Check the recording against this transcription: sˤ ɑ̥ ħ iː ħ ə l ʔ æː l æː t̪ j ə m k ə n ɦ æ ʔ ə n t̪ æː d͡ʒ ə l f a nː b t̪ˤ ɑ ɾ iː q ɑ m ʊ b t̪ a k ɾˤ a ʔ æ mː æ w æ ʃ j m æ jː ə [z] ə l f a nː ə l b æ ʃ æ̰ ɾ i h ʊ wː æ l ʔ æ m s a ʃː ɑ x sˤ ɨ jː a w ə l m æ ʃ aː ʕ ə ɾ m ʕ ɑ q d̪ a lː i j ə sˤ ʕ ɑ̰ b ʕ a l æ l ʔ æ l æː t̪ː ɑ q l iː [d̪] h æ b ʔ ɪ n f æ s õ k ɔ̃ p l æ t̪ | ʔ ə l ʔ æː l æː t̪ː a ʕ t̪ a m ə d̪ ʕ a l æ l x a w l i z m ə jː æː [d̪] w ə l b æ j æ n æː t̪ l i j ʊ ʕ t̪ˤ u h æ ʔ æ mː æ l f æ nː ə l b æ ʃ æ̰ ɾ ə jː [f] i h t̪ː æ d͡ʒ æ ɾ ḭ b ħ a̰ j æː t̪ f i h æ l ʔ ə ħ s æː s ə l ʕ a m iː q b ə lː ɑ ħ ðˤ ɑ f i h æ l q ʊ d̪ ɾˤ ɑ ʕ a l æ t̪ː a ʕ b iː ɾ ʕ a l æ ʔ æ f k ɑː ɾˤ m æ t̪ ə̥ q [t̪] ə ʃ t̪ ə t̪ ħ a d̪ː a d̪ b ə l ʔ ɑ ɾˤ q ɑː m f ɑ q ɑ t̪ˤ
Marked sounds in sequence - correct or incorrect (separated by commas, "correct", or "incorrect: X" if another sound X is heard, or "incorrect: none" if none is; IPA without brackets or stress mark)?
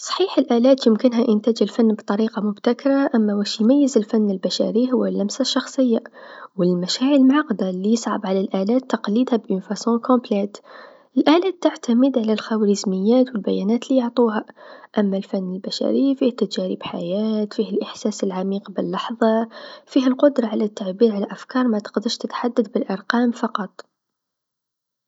correct, correct, incorrect: t̪, correct, incorrect: d̪